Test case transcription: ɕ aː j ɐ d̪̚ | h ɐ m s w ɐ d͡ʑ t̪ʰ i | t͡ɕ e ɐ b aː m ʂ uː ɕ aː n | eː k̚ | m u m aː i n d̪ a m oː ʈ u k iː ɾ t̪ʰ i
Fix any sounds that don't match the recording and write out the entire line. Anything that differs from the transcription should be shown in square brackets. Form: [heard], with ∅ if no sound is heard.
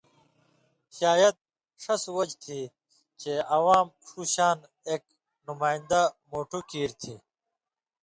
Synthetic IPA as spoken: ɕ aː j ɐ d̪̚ | [ʂ] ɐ [∅] s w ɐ d͡ʑ t̪ʰ i | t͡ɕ e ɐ [w] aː m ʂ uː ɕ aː n | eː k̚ | [n] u m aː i n d̪ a m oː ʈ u k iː ɾ t̪ʰ i